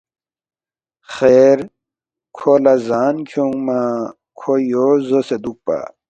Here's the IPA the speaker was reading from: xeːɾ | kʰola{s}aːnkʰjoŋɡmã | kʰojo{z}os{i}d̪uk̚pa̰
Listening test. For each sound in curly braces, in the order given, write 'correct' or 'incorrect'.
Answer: incorrect: z, correct, incorrect: e

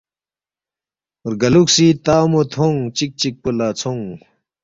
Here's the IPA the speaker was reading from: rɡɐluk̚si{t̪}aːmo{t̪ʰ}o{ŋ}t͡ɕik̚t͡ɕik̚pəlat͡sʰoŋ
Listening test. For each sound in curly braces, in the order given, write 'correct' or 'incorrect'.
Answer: correct, correct, correct

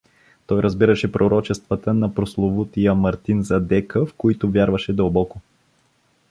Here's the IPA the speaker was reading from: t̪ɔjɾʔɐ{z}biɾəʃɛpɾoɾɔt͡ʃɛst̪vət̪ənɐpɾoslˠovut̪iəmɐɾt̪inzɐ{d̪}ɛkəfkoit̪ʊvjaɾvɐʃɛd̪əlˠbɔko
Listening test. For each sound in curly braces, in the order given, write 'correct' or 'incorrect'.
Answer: correct, correct

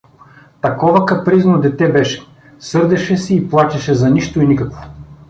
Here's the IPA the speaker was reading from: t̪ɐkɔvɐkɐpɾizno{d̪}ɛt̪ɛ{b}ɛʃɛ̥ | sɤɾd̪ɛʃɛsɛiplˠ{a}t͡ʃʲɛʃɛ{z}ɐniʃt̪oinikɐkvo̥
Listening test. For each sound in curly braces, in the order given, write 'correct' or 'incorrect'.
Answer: correct, correct, correct, correct

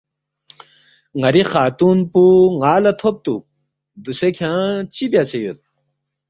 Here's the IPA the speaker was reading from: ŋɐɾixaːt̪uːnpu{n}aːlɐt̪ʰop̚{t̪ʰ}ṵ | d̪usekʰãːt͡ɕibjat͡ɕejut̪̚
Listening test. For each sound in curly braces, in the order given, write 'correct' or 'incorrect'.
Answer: incorrect: ŋ, incorrect: t̪

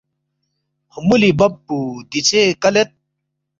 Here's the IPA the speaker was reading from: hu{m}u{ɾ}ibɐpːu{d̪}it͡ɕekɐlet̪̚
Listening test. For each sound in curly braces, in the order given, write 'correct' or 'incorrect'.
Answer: correct, incorrect: l, correct

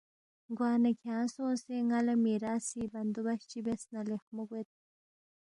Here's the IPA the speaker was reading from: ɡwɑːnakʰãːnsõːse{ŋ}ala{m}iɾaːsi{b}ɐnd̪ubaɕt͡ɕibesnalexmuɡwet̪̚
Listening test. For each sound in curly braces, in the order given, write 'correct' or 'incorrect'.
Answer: correct, correct, correct

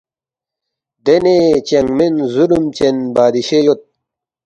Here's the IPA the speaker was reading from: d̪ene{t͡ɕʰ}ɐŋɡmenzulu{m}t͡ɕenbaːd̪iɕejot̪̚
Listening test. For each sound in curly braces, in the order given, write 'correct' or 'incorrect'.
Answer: incorrect: t͡ɕ, correct

